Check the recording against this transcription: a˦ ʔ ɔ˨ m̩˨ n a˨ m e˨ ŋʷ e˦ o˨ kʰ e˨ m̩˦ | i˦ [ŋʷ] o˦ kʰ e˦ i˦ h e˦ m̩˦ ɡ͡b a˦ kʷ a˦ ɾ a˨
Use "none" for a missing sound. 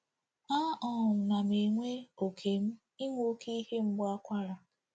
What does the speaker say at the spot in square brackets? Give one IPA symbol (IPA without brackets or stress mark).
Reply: ŋʷ